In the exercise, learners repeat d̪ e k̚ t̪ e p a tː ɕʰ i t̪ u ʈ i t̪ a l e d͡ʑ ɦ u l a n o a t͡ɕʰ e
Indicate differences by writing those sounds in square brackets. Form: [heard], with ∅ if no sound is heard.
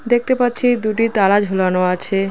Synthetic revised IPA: d̪ e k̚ t̪ e p a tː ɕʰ i [d̪] u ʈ i t̪ a l [a] d͡ʑ ɦ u l a n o a t͡ɕʰ e